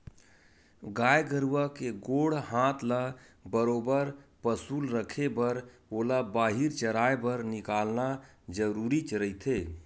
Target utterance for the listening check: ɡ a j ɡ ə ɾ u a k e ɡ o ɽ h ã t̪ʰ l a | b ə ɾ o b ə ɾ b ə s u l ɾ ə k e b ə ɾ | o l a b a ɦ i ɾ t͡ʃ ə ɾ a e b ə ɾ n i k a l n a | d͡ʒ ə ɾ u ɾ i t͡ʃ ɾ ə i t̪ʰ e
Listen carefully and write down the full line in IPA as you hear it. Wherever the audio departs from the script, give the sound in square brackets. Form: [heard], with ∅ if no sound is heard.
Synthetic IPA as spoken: ɡ a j ɡ ə ɾ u a k e ɡ o ɽ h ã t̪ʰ l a | b ə ɾ o b ə ɾ [p] ə s u l ɾ ə [kʰ] e b ə ɾ | o l a b a ɦ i ɾ t͡ʃ ə ɾ a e b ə ɾ n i k a l n a | d͡ʒ ə ɾ u ɾ i t͡ʃ ɾ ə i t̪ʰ e